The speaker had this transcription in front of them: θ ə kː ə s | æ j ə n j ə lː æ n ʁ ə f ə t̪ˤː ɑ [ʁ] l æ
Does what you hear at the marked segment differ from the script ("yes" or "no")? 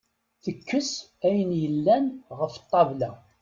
yes